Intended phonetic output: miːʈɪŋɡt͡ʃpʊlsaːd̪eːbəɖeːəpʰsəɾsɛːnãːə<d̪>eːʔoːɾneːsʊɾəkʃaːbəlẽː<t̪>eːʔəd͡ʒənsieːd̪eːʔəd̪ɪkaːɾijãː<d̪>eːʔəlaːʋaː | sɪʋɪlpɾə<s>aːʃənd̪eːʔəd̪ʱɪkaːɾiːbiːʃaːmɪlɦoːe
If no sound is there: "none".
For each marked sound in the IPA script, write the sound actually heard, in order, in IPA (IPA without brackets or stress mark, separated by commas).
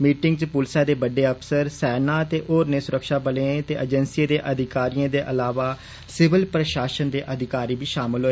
t̪, t̪, d̪, ʃ